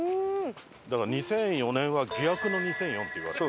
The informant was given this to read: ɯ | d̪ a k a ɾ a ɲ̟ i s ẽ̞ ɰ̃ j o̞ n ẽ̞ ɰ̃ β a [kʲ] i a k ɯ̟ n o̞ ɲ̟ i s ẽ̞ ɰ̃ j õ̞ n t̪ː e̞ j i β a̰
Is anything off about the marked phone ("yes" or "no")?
yes